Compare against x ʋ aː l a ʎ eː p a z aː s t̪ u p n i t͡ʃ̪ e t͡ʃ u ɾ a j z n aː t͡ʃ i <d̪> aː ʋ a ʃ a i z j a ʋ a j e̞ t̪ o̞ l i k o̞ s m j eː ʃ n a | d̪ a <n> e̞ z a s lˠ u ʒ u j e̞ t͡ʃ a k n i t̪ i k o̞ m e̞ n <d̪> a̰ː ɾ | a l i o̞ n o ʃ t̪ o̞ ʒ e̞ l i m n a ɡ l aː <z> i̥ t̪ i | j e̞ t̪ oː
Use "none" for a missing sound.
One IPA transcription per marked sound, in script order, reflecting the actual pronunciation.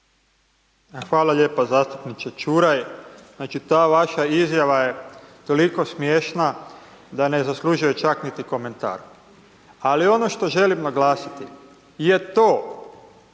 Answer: t̪, n, t̪, s

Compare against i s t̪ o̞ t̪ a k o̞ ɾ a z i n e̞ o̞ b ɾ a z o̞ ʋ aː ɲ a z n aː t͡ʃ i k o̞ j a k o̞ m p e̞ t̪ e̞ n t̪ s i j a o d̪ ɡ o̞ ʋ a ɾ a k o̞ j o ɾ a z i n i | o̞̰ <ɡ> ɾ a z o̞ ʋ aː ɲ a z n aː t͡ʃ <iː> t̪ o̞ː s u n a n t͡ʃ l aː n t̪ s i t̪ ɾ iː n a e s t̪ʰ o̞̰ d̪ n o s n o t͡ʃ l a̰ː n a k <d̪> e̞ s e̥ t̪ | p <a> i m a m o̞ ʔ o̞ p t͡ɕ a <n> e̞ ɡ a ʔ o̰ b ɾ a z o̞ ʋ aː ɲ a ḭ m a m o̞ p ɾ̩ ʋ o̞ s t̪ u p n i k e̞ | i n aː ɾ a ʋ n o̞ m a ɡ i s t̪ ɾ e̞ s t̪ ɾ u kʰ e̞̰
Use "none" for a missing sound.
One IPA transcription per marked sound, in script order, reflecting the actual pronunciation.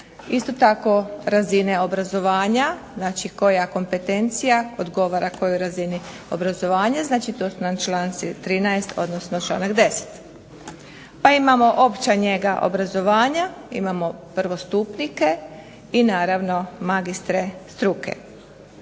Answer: b, i, d̪, a, ɲ

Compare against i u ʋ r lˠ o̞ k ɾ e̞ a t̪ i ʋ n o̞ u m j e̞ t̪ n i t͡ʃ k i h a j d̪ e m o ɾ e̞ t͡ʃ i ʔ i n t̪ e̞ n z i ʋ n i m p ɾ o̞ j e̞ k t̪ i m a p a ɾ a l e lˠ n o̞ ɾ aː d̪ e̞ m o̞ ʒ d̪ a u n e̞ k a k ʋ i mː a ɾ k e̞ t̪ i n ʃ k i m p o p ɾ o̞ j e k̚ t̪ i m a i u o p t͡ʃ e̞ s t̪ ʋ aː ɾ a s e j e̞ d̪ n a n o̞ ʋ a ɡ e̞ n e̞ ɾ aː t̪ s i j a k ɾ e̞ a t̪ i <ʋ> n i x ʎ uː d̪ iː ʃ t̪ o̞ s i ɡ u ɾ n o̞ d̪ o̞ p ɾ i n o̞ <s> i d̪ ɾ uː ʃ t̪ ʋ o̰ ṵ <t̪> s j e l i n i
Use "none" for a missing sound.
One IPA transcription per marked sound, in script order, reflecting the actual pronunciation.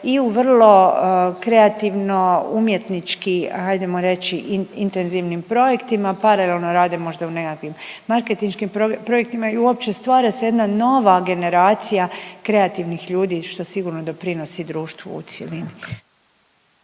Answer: ʋ, s, t̪

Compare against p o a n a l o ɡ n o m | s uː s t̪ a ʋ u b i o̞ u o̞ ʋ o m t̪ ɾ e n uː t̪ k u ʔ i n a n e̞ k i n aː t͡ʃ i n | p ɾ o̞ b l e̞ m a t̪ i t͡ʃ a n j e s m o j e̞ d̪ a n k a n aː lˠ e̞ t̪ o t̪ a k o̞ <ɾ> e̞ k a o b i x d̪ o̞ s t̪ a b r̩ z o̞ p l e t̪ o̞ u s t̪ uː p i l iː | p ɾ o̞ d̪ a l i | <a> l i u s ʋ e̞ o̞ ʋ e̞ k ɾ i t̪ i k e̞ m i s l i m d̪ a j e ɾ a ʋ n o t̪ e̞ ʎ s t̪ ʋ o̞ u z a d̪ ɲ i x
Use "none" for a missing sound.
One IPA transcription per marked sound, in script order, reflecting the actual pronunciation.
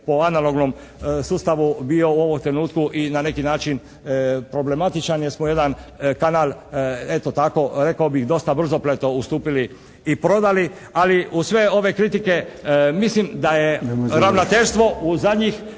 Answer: ɾ, a

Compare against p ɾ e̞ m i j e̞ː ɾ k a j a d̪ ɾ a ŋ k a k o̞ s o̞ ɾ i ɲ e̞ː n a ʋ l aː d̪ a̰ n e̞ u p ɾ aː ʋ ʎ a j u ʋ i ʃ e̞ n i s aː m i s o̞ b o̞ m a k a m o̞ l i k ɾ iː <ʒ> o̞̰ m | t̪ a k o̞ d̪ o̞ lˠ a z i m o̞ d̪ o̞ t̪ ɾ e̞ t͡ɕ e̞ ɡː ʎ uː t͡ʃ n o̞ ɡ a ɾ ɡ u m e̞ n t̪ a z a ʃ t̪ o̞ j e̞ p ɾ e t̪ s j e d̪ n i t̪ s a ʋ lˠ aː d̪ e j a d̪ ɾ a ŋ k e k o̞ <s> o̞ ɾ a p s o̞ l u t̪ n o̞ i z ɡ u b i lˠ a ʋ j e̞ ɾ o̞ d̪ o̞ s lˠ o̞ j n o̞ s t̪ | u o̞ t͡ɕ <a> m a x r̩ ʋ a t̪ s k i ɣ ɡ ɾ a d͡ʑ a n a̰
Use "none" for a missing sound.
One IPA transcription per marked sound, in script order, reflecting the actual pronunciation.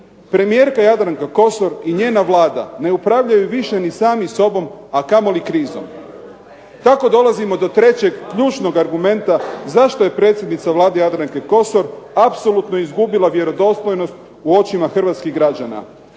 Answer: z, s, i

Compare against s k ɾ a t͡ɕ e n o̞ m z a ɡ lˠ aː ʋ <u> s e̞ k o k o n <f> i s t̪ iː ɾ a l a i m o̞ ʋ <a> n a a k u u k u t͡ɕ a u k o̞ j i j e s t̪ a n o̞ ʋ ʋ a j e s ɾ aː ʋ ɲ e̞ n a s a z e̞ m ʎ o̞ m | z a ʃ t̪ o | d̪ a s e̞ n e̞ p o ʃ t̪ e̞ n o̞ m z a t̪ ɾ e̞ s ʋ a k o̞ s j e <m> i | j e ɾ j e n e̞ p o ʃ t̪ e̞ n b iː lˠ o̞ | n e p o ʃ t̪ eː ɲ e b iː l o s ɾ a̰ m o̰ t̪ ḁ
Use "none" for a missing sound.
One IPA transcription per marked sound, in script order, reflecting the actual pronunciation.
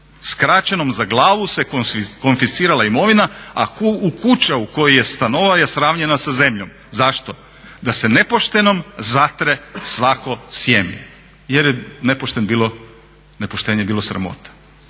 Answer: u, f, i, m

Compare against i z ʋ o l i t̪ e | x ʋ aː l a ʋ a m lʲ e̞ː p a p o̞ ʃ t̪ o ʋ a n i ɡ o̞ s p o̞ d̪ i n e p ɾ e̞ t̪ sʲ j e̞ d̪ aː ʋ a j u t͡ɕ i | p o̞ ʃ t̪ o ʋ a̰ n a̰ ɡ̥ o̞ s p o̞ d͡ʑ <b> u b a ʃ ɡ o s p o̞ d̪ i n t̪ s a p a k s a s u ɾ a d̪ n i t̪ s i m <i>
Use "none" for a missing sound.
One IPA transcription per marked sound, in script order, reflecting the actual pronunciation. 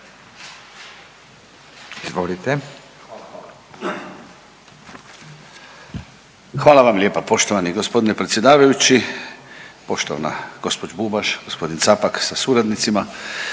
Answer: b, a

